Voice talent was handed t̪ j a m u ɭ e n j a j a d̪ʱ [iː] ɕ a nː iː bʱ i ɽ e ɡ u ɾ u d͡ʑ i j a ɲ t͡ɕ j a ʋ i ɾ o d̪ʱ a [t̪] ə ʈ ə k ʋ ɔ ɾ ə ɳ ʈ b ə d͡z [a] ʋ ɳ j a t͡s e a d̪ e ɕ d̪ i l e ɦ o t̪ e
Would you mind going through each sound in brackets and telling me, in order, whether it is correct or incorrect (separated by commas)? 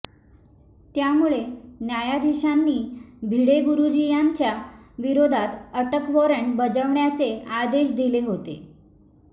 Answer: incorrect, correct, incorrect